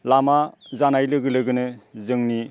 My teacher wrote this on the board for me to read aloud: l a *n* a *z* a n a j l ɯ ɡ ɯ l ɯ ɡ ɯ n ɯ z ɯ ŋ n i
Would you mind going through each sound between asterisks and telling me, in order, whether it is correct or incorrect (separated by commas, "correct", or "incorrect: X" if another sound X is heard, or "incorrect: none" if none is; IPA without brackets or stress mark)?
incorrect: m, correct